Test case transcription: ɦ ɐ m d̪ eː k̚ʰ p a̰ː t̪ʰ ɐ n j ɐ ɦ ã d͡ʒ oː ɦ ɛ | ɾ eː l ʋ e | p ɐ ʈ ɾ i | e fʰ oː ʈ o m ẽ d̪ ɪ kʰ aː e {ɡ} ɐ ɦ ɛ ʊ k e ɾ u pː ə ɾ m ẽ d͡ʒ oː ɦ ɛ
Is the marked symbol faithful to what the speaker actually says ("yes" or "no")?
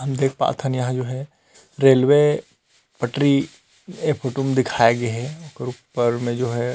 yes